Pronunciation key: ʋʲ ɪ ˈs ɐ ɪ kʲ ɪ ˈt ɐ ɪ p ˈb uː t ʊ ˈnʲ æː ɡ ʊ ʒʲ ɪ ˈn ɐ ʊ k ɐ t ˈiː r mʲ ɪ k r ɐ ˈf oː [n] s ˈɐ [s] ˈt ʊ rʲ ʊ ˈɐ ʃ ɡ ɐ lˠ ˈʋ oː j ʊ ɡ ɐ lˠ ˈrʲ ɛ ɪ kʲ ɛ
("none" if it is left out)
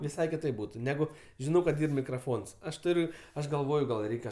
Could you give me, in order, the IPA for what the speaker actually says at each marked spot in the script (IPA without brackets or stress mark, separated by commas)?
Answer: n, ʃ